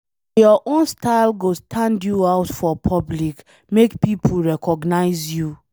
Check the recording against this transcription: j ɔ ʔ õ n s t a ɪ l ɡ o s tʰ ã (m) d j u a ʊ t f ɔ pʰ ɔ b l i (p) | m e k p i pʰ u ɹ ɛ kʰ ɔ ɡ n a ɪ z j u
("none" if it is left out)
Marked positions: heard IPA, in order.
n, k

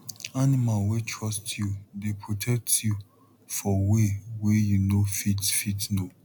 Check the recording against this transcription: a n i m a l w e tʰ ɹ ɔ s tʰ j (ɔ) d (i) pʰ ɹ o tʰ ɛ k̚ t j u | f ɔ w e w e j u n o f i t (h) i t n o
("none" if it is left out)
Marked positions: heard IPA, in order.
u, e, f

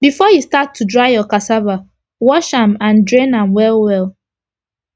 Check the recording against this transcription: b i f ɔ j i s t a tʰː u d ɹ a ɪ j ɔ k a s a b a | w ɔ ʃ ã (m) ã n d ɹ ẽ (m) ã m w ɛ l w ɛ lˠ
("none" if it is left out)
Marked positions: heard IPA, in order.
m, n

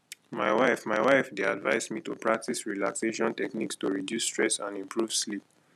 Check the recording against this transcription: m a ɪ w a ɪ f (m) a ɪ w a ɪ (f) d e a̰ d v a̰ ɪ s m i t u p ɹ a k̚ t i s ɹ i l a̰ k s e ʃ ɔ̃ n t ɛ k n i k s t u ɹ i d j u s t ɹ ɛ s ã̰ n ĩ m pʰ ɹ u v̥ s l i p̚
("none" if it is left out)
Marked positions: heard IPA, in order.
m, f

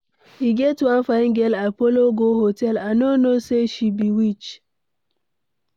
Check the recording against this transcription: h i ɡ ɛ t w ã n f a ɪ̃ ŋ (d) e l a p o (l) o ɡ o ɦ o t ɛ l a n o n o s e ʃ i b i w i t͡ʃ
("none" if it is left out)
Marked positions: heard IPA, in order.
ɡ, l

